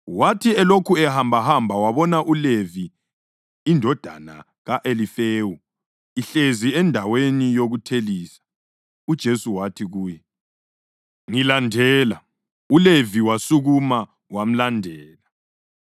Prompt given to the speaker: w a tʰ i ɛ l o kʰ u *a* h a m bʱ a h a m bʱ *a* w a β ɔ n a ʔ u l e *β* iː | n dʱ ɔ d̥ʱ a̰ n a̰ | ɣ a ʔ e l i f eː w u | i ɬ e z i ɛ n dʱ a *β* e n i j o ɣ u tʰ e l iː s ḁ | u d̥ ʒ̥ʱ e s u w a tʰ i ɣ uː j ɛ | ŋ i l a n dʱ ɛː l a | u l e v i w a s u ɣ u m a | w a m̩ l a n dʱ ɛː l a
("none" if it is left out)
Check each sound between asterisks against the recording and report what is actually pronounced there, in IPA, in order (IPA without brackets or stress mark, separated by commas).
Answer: ɛ, a, v, w